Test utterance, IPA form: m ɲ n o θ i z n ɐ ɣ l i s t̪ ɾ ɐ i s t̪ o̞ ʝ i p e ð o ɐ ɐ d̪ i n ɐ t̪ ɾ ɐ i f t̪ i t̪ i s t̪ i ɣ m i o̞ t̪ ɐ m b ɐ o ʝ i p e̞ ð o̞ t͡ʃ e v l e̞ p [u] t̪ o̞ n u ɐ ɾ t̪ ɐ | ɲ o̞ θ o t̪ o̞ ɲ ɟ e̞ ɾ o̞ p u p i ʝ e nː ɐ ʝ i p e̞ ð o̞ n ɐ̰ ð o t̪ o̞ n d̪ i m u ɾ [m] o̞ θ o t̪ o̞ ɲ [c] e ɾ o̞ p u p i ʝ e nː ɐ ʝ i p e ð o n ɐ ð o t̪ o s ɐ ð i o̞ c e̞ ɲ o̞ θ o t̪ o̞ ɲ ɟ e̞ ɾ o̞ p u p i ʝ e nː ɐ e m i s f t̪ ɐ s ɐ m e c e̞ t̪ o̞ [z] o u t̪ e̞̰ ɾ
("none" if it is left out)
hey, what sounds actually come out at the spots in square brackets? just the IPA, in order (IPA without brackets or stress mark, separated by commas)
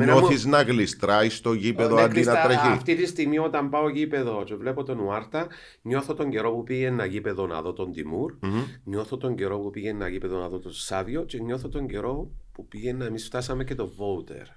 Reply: o, ɲ, ɟ, v